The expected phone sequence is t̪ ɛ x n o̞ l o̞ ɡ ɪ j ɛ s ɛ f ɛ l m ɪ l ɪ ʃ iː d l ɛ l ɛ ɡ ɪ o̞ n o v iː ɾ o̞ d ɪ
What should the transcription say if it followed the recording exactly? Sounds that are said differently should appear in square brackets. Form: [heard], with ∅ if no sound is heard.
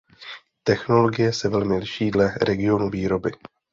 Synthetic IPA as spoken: t̪ ɛ x n o̞ l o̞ ɡ ɪ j ɛ s ɛ [v] ɛ l m ɪ l ɪ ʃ iː d l ɛ [ɾ] ɛ ɡ ɪ o̞ n [u] v iː ɾ o̞ [b] ɪ

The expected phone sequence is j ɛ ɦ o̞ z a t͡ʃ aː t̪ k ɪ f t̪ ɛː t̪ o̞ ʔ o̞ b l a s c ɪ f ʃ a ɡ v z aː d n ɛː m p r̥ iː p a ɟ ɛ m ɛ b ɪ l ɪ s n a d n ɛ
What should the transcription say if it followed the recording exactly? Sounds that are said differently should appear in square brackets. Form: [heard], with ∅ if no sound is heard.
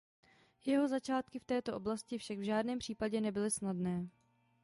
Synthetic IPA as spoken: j ɛ ɦ o̞ z a t͡ʃ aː t̪ k ɪ f t̪ ɛː t̪ o̞ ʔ o̞ b l a s c ɪ f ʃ a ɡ v [ʒ] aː d n ɛː m p r̥ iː p a ɟ ɛ [n] ɛ b ɪ l ɪ s n a d n [ɛː]

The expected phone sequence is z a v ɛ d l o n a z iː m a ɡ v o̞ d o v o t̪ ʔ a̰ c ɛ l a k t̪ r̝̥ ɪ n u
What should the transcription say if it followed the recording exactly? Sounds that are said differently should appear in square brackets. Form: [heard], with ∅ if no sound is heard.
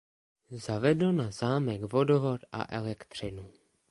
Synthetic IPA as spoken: z a v ɛ d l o n a z [aː] m [ɛ] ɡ v o̞ d o v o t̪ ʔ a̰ [ʔ] ɛ l [ɛ] k t̪ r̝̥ ɪ n u

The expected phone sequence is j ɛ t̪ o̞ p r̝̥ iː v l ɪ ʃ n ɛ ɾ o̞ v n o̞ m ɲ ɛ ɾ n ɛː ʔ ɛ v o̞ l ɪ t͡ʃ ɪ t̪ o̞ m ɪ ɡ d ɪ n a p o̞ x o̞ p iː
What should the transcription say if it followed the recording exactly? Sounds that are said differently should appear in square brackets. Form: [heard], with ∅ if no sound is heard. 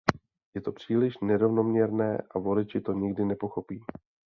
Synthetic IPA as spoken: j ɛ t̪ o̞ p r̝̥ iː [∅] l ɪ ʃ n ɛ ɾ o̞ v n o̞ m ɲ ɛ ɾ n ɛː ʔ [a] v o̞ l ɪ t͡ʃ ɪ t̪ o̞ [ɲ] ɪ ɡ d ɪ n [ɛ] p o̞ x o̞ p iː

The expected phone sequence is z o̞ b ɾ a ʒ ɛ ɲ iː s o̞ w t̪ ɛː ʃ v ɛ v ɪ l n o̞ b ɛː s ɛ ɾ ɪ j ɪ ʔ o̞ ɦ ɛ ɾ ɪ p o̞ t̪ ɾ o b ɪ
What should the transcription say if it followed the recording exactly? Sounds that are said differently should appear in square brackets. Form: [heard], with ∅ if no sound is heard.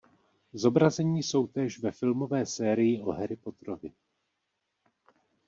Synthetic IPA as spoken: z o̞ b ɾ a [z] ɛ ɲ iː s o̞ w t̪ ɛː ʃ v ɛ [f] ɪ l [m] o̞ [v] ɛː s [ɛː] ɾ ɪ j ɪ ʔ o̞ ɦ ɛ ɾ ɪ p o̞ t̪ ɾ o [v] ɪ

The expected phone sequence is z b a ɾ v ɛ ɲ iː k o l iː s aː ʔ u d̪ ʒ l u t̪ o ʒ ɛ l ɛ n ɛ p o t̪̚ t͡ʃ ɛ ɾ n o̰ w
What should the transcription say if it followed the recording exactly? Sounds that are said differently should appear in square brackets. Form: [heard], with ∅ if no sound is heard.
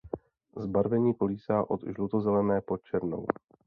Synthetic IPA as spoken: z b a ɾ v ɛ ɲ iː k o l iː s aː ʔ [o] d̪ ʒ l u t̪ o [z] ɛ l ɛ n [ɛː] p o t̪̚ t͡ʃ ɛ ɾ n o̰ w

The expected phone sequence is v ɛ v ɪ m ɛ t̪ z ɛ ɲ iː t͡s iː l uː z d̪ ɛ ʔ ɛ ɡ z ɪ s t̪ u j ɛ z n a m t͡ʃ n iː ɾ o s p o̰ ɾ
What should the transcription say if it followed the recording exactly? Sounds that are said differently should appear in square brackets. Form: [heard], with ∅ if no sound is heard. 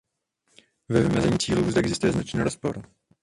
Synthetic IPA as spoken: v ɛ v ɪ m ɛ [∅] z ɛ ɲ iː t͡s iː l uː z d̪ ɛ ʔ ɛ ɡ z ɪ s t̪ u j ɛ z n a [∅] t͡ʃ n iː ɾ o s p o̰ ɾ

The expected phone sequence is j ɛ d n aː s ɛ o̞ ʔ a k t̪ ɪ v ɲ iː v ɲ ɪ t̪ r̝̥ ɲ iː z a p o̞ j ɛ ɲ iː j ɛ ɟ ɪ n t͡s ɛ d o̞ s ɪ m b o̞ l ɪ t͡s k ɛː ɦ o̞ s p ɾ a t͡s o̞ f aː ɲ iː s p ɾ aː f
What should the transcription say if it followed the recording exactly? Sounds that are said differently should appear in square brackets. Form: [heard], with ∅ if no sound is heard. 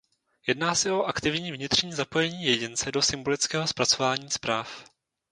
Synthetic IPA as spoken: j ɛ d n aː s ɛ o̞ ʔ a k t̪ ɪ v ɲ iː v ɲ ɪ t̪ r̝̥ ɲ iː z a p o̞ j ɛ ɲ iː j ɛ ɟ ɪ n t͡s ɛ d o̞ s ɪ m b o̞ l ɪ t͡s k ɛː ɦ o̞ s p ɾ a t͡s o̞ [v] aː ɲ iː s p ɾ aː f

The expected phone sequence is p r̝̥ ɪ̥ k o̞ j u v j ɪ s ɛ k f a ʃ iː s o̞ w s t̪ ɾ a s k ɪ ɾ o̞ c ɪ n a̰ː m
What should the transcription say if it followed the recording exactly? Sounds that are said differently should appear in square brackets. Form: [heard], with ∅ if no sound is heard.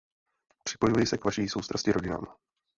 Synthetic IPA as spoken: p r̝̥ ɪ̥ [p] o̞ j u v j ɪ s ɛ k [v] a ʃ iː s o̞ w s t̪ ɾ a s [c] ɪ ɾ o̞ [ɟ] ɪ n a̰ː m

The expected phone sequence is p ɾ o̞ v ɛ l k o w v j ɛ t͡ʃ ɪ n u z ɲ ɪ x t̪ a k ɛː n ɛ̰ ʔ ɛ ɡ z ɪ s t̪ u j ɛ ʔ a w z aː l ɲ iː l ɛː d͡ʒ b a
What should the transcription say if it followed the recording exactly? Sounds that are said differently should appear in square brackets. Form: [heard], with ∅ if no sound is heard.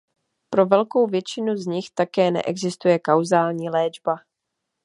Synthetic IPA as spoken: p ɾ o̞ v ɛ l k o w v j ɛ t͡ʃ ɪ n u z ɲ ɪ x t̪ a k ɛː n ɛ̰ ʔ ɛ ɡ z ɪ s t̪ u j ɛ [k] a w z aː l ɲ iː l ɛː d͡ʒ b a

